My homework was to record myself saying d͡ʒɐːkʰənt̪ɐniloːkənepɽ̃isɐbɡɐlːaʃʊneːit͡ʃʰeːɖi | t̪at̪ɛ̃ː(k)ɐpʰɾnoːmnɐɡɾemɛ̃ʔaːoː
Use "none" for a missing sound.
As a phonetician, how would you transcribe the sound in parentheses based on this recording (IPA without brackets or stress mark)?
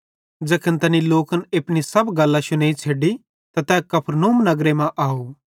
k